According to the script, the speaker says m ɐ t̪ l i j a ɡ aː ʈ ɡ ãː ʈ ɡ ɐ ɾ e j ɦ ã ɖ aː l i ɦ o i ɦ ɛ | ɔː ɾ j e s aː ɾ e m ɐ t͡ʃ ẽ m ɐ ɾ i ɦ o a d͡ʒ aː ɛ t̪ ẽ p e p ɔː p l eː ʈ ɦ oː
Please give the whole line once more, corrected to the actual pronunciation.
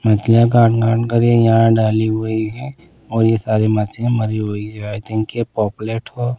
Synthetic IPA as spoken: m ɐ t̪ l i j a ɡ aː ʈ ɡ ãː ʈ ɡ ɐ ɾ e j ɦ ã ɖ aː l i ɦ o i ɦ ɛ | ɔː ɾ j e s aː ɾ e m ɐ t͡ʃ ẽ m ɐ ɾ i ɦ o i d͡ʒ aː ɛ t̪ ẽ k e p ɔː p l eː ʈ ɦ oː

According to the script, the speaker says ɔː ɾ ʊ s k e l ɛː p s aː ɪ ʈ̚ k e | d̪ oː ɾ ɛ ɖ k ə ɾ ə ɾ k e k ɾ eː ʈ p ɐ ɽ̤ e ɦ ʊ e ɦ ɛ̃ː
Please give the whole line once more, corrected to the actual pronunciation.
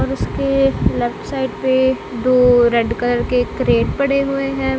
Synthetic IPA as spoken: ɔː ɾ ʊ s k e l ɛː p s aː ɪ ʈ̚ p e | d̪ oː ɾ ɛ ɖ k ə l ə ɾ k e k ɾ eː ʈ p ɐ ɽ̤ e ɦ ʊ e ɦ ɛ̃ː

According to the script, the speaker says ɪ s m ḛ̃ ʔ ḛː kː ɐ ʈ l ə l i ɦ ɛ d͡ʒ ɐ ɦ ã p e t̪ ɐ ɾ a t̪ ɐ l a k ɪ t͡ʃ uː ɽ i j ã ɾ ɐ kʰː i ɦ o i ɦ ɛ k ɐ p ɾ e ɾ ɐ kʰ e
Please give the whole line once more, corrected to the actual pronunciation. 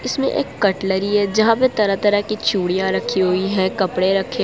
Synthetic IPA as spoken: ɪ s m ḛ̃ ʔ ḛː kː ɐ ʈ l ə ɾ i ɦ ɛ d͡ʒ ɐ ɦ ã p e t̪ ɐ ɾ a t̪ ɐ ɾ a k i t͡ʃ uː ɽ i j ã ɾ ɐ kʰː i ɦ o i ɦ ɛ k ɐ p ɽ e ɾ ɐ kʰ e

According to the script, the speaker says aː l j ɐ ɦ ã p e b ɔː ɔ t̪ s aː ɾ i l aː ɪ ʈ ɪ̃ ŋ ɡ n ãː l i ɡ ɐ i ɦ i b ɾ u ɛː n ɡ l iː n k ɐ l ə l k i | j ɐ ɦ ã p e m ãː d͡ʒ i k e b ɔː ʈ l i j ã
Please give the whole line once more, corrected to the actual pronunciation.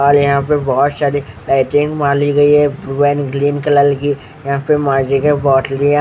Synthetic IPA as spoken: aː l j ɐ ɦ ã p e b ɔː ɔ t̪ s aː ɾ i l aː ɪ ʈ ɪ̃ ŋ ɡ m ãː l i ɡ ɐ i ɦ ɛ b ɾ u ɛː n ɡ l iː n k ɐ l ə l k i | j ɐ ɦ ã p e m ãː d͡ʒ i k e b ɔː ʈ l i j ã

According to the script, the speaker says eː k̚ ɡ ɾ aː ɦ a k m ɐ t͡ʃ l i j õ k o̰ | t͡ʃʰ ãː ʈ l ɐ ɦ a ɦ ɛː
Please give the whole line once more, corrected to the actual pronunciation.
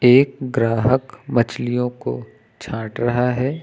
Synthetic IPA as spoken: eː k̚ ɡ ɾ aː ɦ ə k m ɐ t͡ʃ l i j õ k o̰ | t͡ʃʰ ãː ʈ ɾ ɐ ɦ a ɦ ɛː

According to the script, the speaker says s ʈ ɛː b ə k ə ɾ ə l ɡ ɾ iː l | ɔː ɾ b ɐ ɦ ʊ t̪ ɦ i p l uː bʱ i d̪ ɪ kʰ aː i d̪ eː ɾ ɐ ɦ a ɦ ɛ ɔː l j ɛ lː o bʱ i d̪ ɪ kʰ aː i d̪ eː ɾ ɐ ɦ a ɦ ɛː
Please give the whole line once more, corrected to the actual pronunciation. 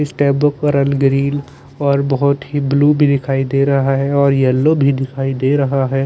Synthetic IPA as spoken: s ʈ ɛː b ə k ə ɾ ə l ɡ ɾ iː l | ɔː ɾ b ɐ ɦ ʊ t̪ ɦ i b l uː bʱ i d̪ ɪ kʰ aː i d̪ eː ɾ ɐ ɦ a ɦ ɛ ɔː ɾ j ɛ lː o bʱ i d̪ ɪ kʰ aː i d̪ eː ɾ ɐ ɦ a ɦ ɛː

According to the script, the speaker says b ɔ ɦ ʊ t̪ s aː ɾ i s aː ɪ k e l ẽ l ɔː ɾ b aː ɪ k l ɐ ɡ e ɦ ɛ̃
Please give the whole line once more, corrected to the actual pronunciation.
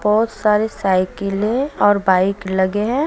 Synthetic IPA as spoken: b ɔ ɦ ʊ t̪ s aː ɾ e s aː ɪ k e l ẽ ɔː ɾ b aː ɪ k l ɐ ɡ e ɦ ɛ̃

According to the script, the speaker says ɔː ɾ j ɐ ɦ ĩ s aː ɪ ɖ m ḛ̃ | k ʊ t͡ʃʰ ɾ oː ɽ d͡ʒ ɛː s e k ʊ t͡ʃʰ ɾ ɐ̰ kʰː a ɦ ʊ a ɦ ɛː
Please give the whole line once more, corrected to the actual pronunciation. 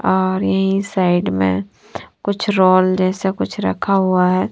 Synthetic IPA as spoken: ɔː ɾ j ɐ ɦ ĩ s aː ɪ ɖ m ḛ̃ | k ʊ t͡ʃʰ ɾ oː l d͡ʒ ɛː s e k ʊ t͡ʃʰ ɾ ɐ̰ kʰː a ɦ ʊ a ɦ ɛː

